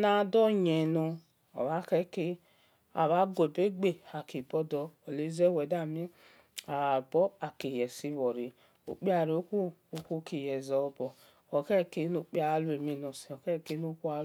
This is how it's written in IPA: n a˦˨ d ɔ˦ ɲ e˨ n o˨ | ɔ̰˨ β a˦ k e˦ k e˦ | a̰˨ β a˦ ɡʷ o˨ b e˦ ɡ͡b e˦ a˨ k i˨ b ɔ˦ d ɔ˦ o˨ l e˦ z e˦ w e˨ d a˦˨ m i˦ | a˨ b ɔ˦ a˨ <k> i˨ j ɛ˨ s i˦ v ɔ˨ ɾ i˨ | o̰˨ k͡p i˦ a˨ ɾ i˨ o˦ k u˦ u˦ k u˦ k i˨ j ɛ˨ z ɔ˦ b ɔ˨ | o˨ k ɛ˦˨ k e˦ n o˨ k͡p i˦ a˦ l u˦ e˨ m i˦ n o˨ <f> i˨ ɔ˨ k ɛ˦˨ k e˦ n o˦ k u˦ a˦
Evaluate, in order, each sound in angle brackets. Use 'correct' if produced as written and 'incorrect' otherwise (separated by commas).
correct, incorrect